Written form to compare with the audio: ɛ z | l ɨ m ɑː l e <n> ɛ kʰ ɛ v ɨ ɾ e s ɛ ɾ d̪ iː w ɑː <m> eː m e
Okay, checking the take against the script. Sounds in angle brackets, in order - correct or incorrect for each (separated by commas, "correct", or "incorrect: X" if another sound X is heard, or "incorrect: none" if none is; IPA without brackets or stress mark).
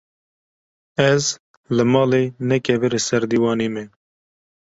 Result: correct, incorrect: n